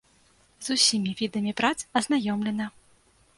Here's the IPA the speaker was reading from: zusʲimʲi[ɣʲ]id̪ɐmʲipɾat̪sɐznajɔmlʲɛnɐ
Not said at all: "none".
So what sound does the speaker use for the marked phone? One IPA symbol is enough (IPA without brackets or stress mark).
vʲ